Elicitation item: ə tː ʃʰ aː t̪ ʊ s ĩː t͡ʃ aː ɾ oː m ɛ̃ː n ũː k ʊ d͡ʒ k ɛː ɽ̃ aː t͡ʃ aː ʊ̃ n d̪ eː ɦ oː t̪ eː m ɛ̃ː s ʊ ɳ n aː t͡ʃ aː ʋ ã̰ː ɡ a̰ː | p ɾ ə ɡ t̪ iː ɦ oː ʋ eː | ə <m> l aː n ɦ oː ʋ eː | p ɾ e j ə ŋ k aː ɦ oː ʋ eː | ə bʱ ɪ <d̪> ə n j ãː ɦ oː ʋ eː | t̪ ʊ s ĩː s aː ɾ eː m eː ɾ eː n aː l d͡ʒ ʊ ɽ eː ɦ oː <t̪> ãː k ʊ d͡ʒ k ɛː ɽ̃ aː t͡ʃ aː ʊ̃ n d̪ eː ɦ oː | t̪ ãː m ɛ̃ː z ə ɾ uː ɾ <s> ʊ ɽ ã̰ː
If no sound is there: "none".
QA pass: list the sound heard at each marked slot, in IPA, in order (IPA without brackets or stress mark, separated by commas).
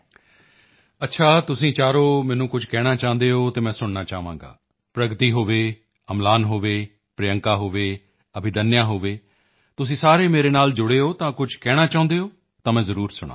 m, d̪, t̪, s